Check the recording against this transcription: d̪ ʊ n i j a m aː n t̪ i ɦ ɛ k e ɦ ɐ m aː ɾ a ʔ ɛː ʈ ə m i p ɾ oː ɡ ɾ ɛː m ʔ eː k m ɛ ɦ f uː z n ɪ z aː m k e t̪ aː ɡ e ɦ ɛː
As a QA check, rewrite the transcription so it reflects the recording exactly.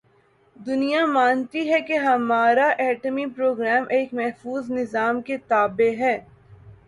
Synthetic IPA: d̪ ʊ n i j a m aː n t̪ i ɦ ɛ k e ɦ ɐ m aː ɾ a ʔ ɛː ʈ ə m i p ɾ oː ɡ ɾ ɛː m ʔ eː k m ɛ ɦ f uː z n ɪ z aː m k e t̪ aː b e ɦ ɛː